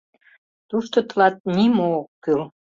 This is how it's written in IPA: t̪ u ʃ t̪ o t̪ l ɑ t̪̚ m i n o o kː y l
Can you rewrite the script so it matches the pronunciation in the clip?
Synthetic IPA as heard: t̪ u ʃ t̪ o t̪ l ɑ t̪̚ n i m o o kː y l